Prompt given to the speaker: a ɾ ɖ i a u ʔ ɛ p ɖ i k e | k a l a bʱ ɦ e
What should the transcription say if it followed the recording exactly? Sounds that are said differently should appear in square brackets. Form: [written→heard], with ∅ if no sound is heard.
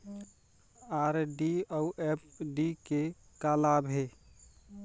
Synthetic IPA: a ɾ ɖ i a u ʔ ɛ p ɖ i k e | k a l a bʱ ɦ e